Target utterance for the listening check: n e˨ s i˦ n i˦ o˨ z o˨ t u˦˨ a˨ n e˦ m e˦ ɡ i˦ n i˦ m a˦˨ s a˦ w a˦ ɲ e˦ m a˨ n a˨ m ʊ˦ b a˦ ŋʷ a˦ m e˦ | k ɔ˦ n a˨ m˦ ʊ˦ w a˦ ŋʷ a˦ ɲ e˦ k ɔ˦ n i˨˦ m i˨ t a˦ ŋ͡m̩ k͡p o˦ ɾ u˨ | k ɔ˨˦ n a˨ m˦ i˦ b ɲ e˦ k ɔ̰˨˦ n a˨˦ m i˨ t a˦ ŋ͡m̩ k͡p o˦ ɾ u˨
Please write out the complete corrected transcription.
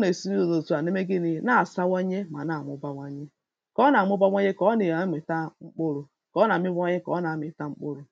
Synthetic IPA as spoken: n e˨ s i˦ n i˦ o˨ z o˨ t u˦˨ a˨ n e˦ m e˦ ɡ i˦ n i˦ n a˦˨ s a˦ w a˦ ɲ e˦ m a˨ n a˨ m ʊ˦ b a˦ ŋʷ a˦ ɲ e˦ | k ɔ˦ n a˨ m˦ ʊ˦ b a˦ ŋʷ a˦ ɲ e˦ k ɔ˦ n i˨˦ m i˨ t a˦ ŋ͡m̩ k͡p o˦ ɾ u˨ | k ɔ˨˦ n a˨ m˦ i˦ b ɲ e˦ k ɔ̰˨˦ n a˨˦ m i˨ t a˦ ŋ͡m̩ k͡p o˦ ɾ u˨

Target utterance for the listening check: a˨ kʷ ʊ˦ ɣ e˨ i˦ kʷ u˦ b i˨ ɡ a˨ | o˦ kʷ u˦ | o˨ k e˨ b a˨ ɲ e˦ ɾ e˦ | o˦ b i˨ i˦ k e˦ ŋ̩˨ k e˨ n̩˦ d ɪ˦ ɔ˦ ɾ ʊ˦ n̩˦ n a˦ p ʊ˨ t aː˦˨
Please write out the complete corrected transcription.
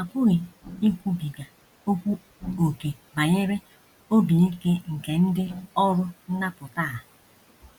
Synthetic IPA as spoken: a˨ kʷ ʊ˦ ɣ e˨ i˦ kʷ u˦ b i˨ ɡ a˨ | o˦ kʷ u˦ | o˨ k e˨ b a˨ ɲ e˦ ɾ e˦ | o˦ b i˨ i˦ k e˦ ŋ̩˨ k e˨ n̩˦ d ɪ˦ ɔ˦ ɾ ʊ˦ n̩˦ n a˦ p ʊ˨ t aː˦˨

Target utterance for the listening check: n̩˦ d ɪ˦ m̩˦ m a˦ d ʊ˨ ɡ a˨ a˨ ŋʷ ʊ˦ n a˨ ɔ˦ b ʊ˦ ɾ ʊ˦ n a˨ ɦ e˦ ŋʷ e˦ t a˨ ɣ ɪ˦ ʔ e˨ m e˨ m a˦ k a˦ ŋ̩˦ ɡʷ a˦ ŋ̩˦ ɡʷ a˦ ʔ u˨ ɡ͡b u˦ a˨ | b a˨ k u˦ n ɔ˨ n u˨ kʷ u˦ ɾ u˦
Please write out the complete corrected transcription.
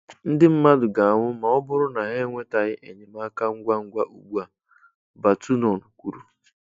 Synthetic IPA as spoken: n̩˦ d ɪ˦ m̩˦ m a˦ d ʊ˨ ɡ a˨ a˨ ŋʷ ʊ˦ m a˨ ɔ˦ b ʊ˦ ɾ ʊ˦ n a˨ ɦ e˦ ŋʷ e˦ t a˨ ɣ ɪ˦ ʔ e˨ ɲ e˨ m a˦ k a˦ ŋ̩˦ ɡʷ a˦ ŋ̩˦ ɡʷ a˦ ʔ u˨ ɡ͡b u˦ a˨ | b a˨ t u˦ n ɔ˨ n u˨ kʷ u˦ ɾ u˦

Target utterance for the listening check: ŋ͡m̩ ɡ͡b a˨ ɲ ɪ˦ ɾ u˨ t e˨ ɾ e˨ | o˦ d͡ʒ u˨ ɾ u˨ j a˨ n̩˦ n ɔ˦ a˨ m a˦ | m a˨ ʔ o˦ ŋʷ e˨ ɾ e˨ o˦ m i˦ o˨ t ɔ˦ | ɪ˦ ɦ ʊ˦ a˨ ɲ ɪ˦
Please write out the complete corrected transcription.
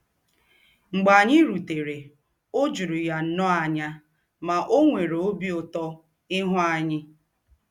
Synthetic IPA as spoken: ŋ͡m̩ ɡ͡b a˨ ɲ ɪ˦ ɾ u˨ t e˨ ɾ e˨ | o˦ d͡ʒ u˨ ɾ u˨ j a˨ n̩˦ n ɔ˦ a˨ ɲ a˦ | m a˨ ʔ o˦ ŋʷ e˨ ɾ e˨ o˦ b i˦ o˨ t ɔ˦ | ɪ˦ ɦ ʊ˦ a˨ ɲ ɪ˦

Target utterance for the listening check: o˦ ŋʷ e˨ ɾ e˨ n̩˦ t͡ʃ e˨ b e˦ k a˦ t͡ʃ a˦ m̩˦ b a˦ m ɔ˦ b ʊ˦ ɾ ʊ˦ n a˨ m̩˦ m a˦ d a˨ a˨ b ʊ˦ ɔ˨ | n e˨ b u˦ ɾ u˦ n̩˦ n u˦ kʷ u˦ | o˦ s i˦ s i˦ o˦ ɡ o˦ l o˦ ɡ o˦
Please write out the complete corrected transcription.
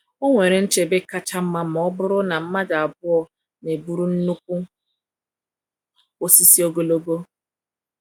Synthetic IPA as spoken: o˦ ŋʷ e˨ ɾ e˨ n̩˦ t͡ʃ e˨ b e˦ k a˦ t͡ʃ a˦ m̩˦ m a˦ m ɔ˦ b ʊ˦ ɾ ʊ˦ n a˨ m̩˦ m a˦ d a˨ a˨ b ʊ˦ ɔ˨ | n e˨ b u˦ ɾ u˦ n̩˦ n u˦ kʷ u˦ | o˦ s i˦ s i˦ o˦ ɡ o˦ l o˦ ɡ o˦

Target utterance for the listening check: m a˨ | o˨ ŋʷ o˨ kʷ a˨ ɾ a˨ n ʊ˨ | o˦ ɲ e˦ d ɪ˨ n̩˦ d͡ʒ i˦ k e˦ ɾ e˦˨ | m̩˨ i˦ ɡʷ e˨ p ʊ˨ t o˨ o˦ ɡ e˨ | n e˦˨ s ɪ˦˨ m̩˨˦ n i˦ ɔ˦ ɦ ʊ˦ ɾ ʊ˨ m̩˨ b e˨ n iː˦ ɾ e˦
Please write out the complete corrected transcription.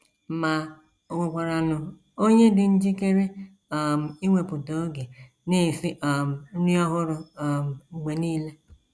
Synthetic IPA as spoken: m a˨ | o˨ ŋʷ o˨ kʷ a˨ ɾ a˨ n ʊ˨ | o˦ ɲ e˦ d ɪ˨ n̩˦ d͡ʒ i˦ k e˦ ɾ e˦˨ | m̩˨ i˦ ŋʷ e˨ p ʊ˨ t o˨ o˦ ɡ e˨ | n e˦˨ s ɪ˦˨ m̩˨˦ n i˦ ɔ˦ ɦ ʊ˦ ɾ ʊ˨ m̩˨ ɡ͡b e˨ n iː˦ l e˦

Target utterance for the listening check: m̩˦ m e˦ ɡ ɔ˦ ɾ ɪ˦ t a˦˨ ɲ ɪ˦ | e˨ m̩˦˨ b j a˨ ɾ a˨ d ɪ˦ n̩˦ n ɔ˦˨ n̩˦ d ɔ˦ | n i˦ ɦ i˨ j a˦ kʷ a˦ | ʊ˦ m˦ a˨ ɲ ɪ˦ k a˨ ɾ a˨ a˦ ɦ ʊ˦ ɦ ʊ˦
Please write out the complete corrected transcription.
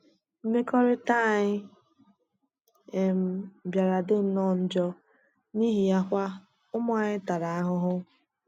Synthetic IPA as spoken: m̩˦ m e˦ k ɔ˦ ɾ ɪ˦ t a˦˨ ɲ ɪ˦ | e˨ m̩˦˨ b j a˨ ɾ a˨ d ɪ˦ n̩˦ n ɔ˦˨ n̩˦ d͡ʒ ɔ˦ | n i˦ ɦ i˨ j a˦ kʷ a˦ | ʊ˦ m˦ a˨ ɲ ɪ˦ t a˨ ɾ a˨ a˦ ɦ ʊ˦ ɦ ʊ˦

